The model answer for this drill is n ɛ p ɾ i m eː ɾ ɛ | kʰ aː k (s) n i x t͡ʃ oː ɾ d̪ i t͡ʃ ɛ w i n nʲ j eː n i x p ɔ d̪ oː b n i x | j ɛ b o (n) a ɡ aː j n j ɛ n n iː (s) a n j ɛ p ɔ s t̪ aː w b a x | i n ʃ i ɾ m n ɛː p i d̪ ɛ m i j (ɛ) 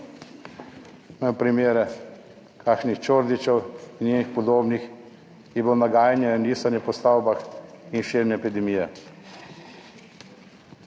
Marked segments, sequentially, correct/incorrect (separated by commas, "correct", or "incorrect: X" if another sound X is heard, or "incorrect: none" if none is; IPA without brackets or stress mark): incorrect: ʃ, correct, correct, correct